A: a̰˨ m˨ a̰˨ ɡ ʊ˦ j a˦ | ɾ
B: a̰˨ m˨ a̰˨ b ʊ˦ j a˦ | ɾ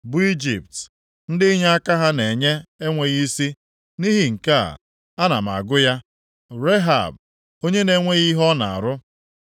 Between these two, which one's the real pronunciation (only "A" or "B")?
A